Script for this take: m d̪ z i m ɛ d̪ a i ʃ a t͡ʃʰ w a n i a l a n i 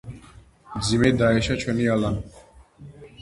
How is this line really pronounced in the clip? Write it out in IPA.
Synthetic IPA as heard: m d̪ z i m ɛ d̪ a ɛ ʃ a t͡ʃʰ w ɛ n i a l a n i

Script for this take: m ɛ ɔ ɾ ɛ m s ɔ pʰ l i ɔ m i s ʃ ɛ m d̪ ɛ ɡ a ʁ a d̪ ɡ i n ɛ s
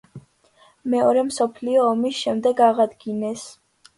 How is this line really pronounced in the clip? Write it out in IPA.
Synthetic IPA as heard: m ɛ ɔ ɾ ɛ m s ɔ pʰ l i ɔː m i s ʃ ɛ m d̪ ɛ ɡ a ʁ a d̪ ɡ i n ɛ s

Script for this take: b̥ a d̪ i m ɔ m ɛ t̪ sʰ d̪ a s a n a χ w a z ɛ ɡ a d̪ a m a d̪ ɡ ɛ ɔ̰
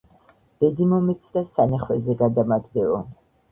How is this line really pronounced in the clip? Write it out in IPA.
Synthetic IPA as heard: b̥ ɛ d̪ i m ɔ m ɛ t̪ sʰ d̪ a s a n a χ w ɛ z ɛ ɡ a d̪ a m a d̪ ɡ ɛ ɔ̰

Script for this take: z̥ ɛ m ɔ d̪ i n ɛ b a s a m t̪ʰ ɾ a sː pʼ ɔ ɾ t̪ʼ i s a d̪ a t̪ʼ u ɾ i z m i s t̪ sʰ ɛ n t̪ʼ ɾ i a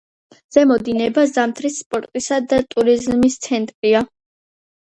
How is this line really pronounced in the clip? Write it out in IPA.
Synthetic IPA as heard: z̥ ɛ m ɔ d̪ i n ɛ b a z a m t̪ʰ ɾ i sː pʼ ɔ ɾ t̪ʼ i s a d̪ a t̪ʼ u ɾ i z m i s t̪ sʰ ɛ n t̪ʼ ɾ i a

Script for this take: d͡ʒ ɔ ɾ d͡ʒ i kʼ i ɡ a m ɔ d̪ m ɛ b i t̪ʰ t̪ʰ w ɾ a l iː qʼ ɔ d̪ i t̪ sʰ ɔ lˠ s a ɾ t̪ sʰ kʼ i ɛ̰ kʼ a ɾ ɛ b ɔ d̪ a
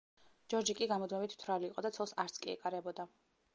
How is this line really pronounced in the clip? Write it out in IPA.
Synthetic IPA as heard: d͡ʒ ɔ ɾ d͡ʒ i kʼ i ɡ a m ɔ d̪ m ɛ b i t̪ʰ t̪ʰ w ɾ a l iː qʼ ɔ d̪ a t̪ sʰ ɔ lˠ s a ɾ t̪ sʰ kʼ i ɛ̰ kʼ a ɾ ɛ b ɔ d̪ a

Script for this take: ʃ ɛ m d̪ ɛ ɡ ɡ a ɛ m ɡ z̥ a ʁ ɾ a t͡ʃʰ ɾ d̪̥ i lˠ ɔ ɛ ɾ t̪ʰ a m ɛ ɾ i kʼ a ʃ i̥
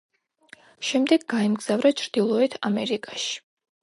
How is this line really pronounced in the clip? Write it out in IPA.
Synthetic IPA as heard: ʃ ɛ m d̪ ɛ ɡ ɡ a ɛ m ɡ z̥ a v ɾ a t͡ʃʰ ɾ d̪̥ i lˠ ɔ ɛ t̪ʰ a m ɛ ɾ i kʼ a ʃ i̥

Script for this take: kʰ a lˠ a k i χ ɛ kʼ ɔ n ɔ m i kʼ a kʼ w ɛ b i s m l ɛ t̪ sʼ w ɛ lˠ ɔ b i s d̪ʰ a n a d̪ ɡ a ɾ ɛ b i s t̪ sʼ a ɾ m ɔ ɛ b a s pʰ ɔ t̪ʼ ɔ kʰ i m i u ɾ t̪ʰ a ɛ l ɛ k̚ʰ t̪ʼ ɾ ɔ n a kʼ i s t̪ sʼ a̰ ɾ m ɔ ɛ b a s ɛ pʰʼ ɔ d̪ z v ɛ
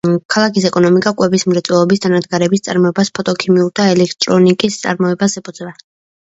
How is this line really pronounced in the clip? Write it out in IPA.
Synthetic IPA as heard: kʰ a lˠ a k i s ɛ kʼ ɔ n ɔ m i kʼ a kʼ w ɛ b i s m ɾ ɛ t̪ sʼ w ɛ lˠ ɔ b i s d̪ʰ a n a d̪ ɡ a ɾ ɛ b i s t̪ sʼ a ɾ m ɔ ɛ b a s pʰ ɔ t̪ʼ ɔ kʰ i m i u ɾ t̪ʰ a ɛ l ɛ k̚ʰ t̪ʼ ɾ ɔ n i kʼ i s t̪ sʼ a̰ ɾ m ɔ ɛ b a s ɛ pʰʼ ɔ d̪ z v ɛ

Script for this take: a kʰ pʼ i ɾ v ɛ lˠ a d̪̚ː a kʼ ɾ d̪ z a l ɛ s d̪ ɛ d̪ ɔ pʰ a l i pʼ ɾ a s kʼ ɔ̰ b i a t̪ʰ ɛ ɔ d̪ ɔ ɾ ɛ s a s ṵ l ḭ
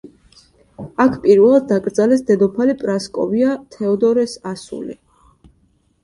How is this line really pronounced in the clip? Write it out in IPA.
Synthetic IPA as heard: a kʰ pʼ i ɾ v ɛ lˠ a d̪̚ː a kʼ ɾ d̪ z a l ɛ s d̪ ɛ d̪ ɔ pʰ a l i pʼ ɾ a s kʼ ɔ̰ v i a t̪ʰ ɛ ɔ d̪ ɔ ɾ ɛ s a s ṵ l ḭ

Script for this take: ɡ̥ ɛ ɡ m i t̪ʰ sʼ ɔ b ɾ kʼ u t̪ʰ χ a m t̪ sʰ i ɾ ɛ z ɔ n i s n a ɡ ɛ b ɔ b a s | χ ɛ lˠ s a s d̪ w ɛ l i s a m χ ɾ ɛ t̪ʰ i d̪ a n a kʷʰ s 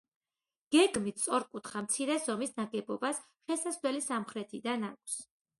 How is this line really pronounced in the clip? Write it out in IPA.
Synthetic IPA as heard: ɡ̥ ɛ ɡ m i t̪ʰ sʼ ɔ ɾ kʼ u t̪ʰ χ a m t̪ sʰ i ɾ ɛ z ɔ m i s n a ɡ ɛ b ɔ b a s | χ ɛ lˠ s a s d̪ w ɛ l i s a m χ ɾ ɛ t̪ʰ i d̪ a n a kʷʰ s

